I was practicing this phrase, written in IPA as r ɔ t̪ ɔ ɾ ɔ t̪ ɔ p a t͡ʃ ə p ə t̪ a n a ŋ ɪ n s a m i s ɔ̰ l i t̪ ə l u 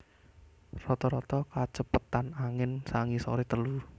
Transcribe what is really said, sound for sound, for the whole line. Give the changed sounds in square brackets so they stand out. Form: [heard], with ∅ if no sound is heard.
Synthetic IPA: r ɔ t̪ ɔ ɾ ɔ t̪ ɔ [k] a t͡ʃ ə p ə t̪ a n a ŋ ɪ n s a [ŋ] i s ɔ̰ [ɾ] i t̪ ə l u

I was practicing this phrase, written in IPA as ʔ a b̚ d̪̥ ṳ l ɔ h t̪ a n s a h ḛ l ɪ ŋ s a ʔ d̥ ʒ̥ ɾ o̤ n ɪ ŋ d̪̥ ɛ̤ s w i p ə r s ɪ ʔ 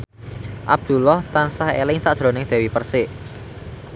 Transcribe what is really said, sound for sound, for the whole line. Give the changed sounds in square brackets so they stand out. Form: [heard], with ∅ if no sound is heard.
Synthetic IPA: ʔ a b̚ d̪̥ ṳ l ɔ h t̪ a n s a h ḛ l ɪ ŋ s a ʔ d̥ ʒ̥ ɾ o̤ n ɪ ŋ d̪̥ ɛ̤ [∅] w i p ə r s ɪ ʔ

